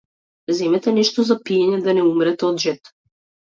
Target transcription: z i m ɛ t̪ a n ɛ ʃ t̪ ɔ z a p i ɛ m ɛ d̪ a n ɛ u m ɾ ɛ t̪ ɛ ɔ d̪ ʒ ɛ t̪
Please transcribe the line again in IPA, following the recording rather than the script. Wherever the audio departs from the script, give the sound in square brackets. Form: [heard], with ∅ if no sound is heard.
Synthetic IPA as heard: z [ɛ] m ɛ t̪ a n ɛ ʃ t̪ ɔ z a p i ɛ [ɲ] ɛ d̪ a n ɛ u m ɾ ɛ t̪ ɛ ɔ d̪ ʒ ɛ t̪